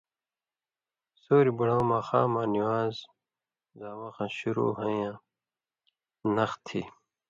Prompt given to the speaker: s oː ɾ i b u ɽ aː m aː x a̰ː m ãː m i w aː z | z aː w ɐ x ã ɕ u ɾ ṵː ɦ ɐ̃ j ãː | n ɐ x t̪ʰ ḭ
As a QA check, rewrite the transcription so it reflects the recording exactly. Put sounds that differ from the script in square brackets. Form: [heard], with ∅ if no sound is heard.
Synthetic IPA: s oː ɾ i b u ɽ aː m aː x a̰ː m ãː [n] i w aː z | z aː w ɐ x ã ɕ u ɾ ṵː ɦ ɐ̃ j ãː | n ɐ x t̪ʰ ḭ